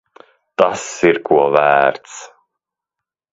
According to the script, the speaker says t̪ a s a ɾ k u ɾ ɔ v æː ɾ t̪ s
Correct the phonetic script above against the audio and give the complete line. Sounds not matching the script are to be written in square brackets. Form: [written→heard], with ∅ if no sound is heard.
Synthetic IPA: t̪ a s [a→i] ɾ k u [ɾ→∅] ɔ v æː ɾ t̪ s